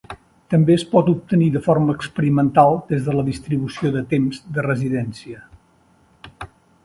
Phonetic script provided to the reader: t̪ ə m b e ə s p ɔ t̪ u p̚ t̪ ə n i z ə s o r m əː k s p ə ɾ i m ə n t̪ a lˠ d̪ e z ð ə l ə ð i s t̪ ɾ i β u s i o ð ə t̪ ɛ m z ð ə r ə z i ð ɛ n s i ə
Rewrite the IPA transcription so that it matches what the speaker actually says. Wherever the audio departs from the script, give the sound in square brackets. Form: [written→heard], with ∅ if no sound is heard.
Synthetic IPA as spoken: t̪ ə m b e ə s p ɔ t̪ u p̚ t̪ ə n i [z→ð] ə [s→f] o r m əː k s p ə ɾ i m ə n t̪ a lˠ d̪ e z ð ə l ə ð i s t̪ ɾ i β u s i o ð ə t̪ [ɛ→e] m z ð ə r ə z i ð ɛ n s i ə